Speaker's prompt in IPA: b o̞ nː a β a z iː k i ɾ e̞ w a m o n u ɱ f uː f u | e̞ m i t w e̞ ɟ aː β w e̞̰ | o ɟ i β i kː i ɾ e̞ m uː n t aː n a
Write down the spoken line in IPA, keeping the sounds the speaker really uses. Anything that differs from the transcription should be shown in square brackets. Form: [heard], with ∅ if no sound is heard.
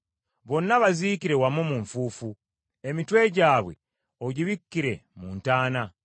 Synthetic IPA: [β] o̞ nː a β a z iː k i ɾ e̞ w a m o [m] u ɱ f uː f u | e̞ m i t w e̞ ɟ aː β w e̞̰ | o ɟ i β i kː i ɾ e̞ m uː n t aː n a